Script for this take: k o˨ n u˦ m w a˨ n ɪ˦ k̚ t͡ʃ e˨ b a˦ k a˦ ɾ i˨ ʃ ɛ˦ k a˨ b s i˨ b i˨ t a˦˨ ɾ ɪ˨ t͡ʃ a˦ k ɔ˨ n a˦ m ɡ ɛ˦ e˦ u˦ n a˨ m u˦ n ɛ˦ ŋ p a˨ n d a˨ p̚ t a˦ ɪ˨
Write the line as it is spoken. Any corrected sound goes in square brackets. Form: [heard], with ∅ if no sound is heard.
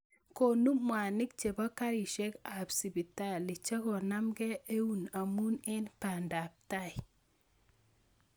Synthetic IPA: k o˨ n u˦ m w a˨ n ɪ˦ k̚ t͡ʃ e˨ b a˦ k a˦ ɾ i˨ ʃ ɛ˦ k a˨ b s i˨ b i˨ t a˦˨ [l] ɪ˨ t͡ʃ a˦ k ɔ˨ n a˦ m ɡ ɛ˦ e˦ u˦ n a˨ m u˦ n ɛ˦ [n] p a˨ n d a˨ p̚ t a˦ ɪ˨

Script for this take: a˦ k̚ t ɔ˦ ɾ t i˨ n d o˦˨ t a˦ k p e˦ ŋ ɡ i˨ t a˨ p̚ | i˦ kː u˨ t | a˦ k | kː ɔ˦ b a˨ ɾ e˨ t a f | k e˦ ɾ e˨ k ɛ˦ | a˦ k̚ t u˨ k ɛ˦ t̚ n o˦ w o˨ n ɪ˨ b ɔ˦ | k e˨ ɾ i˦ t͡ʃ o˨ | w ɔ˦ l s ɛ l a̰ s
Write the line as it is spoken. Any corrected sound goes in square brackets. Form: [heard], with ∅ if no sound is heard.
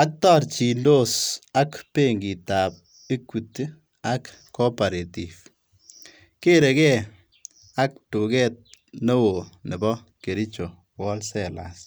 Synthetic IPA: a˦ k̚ t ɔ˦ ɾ [t͡ʃ] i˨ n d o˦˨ [s] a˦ k p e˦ ŋ ɡ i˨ t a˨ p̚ | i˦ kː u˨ t | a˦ k | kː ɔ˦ [p] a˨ ɾ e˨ t [i] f | k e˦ ɾ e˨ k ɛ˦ | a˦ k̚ t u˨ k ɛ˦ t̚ n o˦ w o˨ n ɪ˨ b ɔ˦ | k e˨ ɾ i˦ t͡ʃ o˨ | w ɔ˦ l s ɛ l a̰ s

